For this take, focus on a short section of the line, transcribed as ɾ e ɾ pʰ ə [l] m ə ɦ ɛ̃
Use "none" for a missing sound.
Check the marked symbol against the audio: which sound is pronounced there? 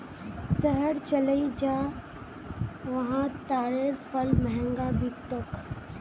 l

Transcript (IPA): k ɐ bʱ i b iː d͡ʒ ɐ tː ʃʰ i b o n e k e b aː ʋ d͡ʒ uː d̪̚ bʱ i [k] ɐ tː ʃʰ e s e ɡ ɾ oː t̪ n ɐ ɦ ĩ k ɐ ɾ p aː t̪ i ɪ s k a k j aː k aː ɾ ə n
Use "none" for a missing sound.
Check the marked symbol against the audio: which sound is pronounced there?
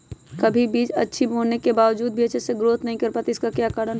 none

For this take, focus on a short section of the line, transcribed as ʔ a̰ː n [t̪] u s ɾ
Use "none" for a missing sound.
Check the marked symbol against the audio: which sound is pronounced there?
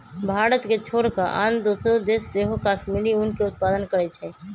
d̪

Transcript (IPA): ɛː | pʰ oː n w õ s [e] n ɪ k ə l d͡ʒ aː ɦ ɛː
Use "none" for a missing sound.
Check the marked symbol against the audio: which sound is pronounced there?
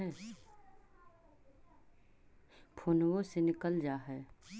e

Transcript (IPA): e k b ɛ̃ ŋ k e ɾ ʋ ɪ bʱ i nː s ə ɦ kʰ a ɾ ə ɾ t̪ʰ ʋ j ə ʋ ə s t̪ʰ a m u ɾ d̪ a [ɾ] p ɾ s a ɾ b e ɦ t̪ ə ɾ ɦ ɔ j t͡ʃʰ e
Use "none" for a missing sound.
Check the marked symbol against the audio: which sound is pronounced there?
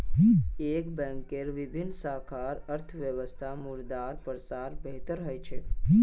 ɾ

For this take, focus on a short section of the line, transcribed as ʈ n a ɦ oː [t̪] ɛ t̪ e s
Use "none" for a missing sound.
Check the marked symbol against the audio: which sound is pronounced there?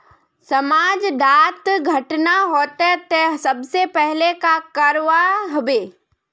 t̪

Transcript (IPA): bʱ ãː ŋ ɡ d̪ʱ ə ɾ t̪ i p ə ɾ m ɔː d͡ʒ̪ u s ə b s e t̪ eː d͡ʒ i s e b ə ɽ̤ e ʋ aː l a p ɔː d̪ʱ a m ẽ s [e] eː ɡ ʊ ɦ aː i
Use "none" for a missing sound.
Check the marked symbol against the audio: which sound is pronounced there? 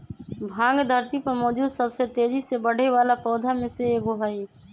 e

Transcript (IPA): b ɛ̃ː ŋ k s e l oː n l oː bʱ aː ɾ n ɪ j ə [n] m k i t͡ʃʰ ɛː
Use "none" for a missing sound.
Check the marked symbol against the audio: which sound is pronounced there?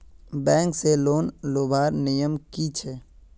none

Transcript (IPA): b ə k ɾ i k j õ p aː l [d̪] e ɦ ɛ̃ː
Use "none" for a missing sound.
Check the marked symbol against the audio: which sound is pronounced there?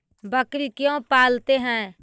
t̪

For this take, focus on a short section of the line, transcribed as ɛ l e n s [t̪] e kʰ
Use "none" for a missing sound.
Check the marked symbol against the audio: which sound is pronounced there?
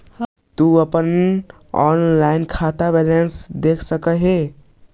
d̪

